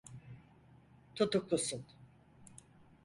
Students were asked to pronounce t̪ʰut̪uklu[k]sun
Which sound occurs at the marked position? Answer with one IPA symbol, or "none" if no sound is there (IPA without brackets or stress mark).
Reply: none